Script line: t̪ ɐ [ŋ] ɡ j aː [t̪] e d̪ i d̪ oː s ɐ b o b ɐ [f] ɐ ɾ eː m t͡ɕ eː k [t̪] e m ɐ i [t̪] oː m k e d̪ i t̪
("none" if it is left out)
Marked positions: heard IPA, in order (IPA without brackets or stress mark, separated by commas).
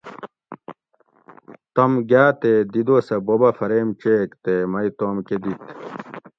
m, t̪, f, t̪, t̪